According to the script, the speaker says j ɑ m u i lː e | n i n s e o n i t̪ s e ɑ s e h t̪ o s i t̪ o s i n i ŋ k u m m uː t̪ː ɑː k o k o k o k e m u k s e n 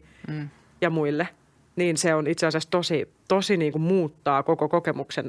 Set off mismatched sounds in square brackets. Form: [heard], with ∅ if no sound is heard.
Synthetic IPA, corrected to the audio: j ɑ m u i lː e | n [iː] n s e o n i t̪ s e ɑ s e [s] t̪ o s i t̪ o s i n [iː] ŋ k u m m uː t̪ː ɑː k o k o k o k e m u k s e n